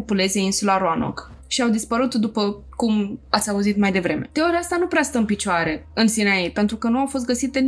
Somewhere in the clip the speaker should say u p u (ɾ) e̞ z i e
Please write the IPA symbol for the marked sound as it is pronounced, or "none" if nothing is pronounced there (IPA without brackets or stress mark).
l